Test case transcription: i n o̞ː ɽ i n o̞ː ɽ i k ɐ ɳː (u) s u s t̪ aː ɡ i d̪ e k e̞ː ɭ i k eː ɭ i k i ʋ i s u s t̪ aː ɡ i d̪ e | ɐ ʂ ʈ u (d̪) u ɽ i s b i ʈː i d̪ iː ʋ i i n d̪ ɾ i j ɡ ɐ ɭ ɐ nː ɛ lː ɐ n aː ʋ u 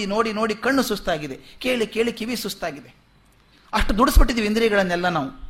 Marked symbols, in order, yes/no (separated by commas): yes, yes